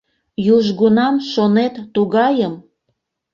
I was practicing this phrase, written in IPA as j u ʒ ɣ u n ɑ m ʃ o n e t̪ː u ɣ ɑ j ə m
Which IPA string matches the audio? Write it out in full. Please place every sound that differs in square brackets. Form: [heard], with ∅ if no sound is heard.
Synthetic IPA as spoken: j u ʒ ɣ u n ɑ m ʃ o n e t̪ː u ɣ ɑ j ə m